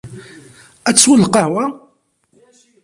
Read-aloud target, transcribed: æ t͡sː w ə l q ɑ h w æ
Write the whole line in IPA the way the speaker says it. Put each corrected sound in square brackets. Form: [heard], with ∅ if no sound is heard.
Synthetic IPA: æ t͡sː w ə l q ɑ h w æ